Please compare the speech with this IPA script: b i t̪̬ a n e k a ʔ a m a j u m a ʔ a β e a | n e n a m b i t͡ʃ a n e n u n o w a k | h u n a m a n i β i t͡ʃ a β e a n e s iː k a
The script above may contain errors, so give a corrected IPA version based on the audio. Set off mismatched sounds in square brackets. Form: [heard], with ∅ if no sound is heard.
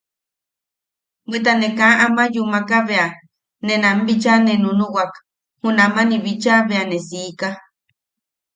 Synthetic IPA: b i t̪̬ a n e k a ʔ a m a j u m a [k] a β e a | n e n a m b i t͡ʃ a n e n u n [u] w a k | h u n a m a n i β i t͡ʃ a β e a n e s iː k a